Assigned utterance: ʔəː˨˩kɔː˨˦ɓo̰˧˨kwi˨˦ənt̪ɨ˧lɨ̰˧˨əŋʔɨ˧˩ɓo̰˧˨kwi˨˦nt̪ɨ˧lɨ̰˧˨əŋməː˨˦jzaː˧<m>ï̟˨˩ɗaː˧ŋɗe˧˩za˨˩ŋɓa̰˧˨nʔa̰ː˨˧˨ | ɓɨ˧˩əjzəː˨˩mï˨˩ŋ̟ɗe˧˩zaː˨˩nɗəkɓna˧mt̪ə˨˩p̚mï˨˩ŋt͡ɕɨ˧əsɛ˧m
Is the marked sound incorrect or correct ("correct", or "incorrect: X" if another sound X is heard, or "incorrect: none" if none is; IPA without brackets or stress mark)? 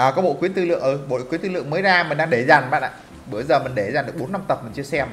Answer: correct